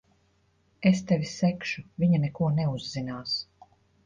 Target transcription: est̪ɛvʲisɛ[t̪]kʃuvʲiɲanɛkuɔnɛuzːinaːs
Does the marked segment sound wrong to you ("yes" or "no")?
yes